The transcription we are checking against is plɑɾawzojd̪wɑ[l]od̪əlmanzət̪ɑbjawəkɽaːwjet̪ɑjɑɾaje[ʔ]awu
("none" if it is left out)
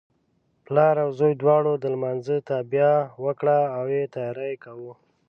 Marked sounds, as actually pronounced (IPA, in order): ɽ, k

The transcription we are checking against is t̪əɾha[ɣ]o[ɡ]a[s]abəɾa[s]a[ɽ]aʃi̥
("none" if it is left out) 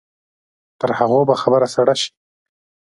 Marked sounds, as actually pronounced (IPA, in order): ɣ, b, x, s, ɽ

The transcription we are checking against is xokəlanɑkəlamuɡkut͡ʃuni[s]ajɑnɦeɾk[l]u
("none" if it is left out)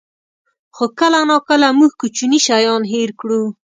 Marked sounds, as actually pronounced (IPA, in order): ʃ, ɽ

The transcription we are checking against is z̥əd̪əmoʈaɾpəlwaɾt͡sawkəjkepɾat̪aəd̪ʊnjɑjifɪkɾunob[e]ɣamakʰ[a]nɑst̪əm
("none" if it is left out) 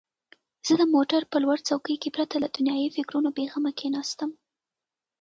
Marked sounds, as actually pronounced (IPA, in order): e, e

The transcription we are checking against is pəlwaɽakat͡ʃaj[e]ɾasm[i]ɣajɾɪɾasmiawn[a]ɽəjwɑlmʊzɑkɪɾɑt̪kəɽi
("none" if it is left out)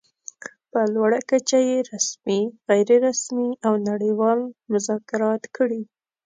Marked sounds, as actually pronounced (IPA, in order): e, i, a

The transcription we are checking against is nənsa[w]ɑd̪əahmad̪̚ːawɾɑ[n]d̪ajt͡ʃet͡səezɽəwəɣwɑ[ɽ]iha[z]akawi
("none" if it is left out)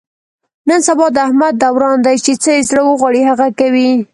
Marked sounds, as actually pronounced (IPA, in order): b, n, ɽ, ɣ

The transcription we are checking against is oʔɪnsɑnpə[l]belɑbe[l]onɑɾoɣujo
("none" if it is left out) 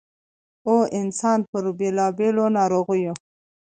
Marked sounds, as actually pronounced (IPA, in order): ɾ, l

